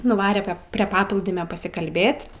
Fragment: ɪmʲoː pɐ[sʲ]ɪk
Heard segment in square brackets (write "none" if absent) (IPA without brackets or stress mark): sʲ